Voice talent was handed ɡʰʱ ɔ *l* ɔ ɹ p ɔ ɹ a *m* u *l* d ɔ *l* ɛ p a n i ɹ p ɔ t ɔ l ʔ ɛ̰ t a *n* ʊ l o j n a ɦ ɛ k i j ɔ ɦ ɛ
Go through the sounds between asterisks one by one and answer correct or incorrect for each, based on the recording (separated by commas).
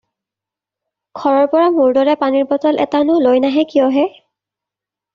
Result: incorrect, correct, incorrect, incorrect, correct